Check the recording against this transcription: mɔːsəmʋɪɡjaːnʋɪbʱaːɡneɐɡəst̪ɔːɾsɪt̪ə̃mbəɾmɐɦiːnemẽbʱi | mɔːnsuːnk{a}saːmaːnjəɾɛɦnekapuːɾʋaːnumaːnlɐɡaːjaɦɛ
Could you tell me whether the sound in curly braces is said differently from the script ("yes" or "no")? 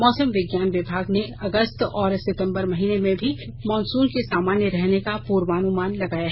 yes